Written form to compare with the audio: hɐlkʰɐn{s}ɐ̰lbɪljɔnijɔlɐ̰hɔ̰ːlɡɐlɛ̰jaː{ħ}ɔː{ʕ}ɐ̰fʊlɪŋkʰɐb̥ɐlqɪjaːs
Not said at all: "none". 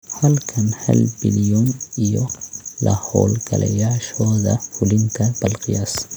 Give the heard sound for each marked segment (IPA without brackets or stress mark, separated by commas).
h, ʃ, ð